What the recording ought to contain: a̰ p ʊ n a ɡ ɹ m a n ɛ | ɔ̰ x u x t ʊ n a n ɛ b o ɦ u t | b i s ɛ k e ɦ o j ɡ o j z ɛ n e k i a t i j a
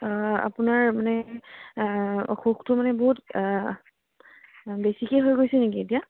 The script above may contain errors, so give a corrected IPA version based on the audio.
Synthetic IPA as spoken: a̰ p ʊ n a ɹ m a n ɛ | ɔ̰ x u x t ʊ m a n ɛ b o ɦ u t | b e s i k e ɦ o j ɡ o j s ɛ n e k i e t i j a

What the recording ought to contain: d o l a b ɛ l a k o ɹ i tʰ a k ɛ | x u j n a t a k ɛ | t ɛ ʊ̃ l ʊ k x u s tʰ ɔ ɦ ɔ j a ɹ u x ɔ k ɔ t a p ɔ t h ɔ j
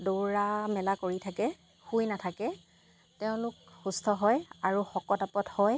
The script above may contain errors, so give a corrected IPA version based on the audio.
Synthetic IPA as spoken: d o ɹ a m ɛ l a k o ɹ i tʰ a k ɛ | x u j n a tʰ a k ɛ | t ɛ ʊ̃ l ʊ k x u s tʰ ɔ ɦ ɔ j a ɹ u x ɔ k ɔ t a p ɔ t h ɔ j

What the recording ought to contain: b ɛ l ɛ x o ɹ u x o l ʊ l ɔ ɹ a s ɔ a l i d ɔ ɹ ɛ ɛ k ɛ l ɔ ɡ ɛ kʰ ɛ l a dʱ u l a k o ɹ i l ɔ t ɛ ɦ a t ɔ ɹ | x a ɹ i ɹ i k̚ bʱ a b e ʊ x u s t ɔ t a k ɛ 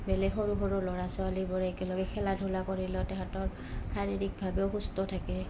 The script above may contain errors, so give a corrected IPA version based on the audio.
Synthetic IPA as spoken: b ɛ l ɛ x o ɹ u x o ɹ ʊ l ɔ ɹ a s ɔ a l i b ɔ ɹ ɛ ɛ k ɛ l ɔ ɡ ɛ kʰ ɛ l a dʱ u l a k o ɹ i l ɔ t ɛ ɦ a t ɔ ɹ | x a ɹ i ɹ i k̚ bʱ a b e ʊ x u s t ɔ tʰ a k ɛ

